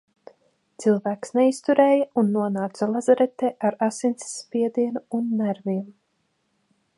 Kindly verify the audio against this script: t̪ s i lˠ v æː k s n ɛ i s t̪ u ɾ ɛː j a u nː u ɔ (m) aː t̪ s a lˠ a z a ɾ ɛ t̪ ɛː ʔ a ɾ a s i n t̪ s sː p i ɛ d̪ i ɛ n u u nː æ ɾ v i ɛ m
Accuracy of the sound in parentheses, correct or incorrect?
incorrect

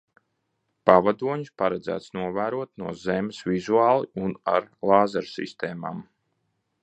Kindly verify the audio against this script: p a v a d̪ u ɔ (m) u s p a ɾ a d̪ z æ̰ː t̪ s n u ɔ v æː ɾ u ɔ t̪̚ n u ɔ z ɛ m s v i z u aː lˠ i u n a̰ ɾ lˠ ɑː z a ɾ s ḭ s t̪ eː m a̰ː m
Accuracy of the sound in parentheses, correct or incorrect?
incorrect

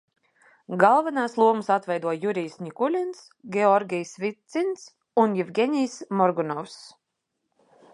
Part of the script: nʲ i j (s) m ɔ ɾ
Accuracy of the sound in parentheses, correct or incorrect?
correct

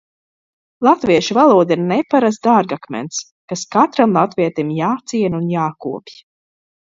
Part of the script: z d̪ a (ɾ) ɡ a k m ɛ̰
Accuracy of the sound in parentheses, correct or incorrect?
correct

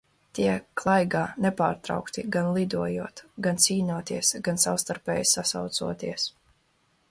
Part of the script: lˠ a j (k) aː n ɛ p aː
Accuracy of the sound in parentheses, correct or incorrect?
incorrect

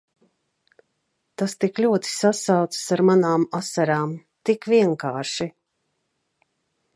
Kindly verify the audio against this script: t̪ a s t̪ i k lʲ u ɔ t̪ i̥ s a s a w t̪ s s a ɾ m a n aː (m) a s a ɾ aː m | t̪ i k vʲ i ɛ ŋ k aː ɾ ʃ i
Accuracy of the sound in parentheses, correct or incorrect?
correct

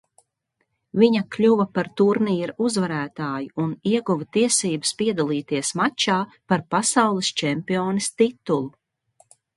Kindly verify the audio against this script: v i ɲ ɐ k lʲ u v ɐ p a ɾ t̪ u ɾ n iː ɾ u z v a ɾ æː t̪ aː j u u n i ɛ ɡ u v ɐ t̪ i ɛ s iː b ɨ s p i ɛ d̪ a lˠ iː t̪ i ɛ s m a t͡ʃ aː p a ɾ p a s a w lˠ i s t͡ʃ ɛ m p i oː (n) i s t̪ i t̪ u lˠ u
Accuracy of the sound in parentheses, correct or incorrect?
correct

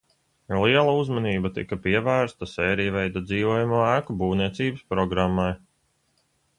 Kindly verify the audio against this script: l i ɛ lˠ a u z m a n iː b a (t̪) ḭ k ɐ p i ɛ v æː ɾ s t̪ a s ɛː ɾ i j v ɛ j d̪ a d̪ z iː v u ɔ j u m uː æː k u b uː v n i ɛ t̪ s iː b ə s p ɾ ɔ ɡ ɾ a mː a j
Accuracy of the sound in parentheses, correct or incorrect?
correct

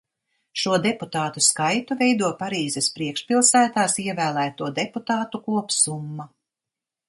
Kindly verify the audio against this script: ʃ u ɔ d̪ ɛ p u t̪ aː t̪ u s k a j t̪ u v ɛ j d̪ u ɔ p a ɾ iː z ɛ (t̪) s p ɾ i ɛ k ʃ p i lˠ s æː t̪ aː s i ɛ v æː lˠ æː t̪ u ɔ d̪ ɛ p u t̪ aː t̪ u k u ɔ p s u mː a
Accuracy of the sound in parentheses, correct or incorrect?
incorrect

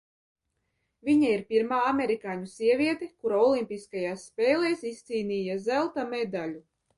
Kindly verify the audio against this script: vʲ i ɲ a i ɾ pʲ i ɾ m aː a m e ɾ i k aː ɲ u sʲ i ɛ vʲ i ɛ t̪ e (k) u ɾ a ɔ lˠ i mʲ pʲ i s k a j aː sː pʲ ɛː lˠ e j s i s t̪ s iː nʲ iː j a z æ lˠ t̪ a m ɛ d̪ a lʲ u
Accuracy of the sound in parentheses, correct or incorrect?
correct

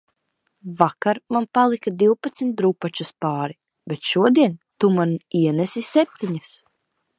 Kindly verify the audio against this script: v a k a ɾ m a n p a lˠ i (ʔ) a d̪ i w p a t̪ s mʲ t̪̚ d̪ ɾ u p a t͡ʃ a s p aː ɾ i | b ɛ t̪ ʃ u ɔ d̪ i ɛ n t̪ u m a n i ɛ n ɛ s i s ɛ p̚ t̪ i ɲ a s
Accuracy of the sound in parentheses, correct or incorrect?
incorrect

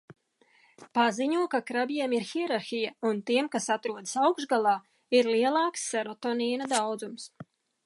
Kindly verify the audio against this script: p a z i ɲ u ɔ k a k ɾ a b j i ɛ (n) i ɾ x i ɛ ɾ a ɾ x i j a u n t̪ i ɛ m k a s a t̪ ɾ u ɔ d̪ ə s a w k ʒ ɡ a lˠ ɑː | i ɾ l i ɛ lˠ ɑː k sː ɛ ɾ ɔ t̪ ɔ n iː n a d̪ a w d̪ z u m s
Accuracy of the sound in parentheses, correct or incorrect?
incorrect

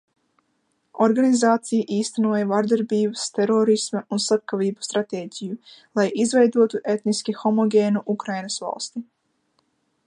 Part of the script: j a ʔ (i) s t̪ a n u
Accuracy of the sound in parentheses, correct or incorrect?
incorrect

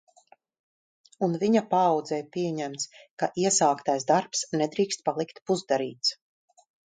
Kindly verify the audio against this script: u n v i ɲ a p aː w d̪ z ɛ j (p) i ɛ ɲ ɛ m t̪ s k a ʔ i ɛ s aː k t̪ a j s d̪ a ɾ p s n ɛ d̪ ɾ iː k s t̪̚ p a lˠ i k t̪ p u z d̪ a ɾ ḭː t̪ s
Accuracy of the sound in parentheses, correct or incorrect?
correct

